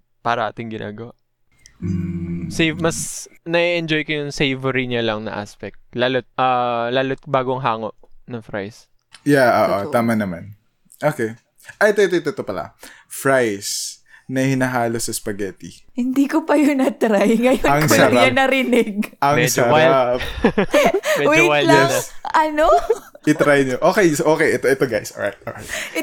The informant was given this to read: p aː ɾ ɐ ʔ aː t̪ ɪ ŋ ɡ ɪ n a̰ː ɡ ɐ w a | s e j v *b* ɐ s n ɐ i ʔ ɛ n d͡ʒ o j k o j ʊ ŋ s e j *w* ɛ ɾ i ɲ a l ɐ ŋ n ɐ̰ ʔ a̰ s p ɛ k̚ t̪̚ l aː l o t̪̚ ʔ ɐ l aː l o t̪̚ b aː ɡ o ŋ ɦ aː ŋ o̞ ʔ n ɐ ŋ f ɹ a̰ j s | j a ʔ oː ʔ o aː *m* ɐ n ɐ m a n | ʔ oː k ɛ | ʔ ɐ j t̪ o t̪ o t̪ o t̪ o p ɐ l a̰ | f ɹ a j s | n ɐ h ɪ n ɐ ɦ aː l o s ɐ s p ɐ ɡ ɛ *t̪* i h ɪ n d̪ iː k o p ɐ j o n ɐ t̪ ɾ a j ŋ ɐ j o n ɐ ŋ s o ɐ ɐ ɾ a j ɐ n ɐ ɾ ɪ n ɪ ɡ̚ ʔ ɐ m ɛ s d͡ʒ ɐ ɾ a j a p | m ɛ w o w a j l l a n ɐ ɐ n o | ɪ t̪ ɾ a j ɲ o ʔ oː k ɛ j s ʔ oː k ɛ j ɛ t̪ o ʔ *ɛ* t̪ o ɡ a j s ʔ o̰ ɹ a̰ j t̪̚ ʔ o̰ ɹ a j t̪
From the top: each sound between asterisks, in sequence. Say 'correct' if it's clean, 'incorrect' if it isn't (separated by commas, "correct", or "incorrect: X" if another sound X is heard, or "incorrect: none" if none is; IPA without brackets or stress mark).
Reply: incorrect: m, incorrect: v, correct, correct, correct